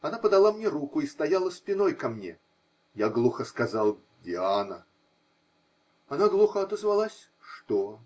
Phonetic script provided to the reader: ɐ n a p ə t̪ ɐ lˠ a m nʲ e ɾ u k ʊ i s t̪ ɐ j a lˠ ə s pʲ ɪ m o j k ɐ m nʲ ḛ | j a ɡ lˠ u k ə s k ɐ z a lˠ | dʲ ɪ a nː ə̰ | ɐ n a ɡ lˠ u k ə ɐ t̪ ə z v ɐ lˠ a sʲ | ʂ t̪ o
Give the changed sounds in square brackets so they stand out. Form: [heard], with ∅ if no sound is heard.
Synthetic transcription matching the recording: ɐ n a p ə [d̪] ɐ lˠ a m nʲ e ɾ u k ʊ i s t̪ ɐ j a lˠ ə s pʲ ɪ [n] o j k ɐ m nʲ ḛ | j a ɡ lˠ u [x] ə s k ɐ z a lˠ | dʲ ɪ a [n] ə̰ | ɐ n a ɡ lˠ u [x] ə ɐ t̪ ə z v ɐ lˠ a sʲ | ʂ t̪ o